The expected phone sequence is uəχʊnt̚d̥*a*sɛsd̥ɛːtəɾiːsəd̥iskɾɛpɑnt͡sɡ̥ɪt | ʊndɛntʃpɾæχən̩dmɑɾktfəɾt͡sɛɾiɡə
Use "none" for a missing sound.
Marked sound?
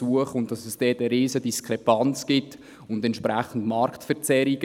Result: ɑ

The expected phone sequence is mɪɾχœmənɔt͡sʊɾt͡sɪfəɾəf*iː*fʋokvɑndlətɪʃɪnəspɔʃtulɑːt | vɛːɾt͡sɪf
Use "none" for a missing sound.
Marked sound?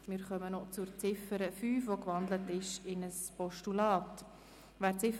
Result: yː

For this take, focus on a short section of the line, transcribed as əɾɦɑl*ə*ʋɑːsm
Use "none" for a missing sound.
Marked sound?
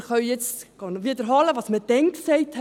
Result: ə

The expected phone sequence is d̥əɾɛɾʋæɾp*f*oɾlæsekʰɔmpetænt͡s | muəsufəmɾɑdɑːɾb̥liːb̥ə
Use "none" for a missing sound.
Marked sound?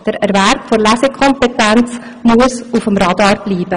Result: f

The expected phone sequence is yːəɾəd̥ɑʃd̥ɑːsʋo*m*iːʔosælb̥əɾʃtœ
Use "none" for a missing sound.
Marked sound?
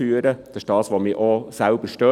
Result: m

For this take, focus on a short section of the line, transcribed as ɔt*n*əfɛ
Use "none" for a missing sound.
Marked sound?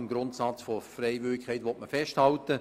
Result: m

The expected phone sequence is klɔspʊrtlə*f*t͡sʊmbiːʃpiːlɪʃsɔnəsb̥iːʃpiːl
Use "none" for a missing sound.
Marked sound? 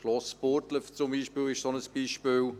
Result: f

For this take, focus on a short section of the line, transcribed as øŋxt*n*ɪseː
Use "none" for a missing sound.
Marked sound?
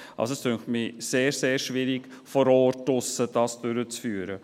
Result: m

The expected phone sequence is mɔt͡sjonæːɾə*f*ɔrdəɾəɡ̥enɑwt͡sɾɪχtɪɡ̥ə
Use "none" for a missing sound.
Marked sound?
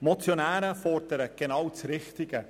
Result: f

